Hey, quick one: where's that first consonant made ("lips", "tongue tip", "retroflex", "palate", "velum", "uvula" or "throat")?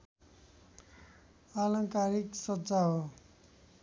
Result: tongue tip